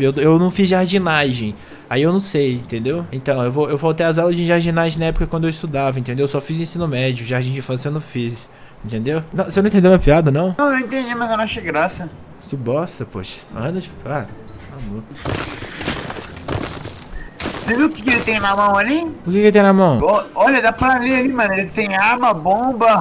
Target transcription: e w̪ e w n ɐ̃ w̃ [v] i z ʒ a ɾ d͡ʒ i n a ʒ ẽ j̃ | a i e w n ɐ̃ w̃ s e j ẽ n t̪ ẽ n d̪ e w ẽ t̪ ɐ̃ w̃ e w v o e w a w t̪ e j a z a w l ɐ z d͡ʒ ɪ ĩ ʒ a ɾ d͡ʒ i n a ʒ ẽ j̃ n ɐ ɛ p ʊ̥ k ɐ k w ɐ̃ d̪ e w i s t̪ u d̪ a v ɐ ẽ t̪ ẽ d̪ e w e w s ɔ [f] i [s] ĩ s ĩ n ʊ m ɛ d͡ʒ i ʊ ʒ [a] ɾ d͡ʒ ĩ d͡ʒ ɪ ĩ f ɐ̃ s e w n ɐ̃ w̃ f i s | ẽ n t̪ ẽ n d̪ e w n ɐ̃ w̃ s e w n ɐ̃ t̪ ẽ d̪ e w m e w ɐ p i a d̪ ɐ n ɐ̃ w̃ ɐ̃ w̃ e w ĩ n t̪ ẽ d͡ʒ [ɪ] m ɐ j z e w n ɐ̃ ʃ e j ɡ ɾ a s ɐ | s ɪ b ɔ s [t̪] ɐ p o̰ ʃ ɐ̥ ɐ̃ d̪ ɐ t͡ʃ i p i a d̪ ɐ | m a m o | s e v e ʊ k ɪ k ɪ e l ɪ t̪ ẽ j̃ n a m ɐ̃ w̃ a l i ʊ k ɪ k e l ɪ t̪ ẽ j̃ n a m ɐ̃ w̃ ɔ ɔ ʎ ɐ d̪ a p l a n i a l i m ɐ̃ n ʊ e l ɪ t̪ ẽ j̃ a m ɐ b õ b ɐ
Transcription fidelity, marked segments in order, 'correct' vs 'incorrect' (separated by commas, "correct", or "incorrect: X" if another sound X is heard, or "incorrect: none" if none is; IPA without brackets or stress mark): incorrect: f, correct, incorrect: z, correct, incorrect: i, correct